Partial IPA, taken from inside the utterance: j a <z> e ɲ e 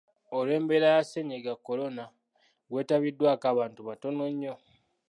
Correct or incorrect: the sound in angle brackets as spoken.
incorrect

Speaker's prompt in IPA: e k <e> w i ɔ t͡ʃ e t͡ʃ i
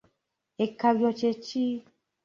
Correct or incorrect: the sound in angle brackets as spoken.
incorrect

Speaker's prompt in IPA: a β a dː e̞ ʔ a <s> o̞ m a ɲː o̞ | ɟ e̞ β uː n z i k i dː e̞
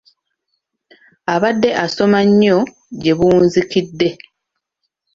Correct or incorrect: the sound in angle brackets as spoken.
correct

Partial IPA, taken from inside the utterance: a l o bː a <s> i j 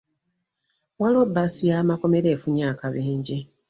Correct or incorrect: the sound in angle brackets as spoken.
correct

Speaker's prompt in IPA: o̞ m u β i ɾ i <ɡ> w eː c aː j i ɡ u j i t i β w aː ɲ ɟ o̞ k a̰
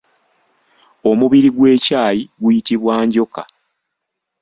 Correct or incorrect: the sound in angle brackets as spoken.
correct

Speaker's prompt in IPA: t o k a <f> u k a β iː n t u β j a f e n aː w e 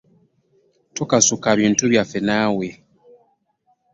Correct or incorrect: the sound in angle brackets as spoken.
incorrect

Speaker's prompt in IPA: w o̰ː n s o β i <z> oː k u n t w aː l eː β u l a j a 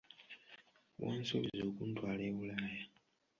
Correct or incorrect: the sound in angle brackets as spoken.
correct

